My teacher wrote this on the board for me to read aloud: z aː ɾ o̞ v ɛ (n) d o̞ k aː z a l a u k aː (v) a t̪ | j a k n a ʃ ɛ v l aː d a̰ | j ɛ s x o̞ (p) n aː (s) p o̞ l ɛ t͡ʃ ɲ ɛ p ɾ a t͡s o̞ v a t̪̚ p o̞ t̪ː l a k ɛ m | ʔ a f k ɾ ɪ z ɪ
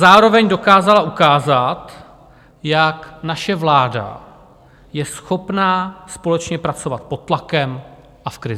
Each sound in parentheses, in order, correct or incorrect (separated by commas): incorrect, incorrect, correct, correct